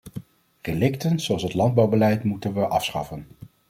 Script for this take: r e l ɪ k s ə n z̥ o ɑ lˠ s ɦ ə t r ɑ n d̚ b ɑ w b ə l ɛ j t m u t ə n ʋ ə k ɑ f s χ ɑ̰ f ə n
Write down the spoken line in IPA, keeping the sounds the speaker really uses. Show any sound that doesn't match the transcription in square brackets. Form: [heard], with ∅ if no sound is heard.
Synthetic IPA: r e l ɪ k [t] ə n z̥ o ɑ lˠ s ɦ ə t [l] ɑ n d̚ b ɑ w b ə l ɛ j t m u t ə n ʋ ə [ʔ] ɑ f s χ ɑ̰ f ə n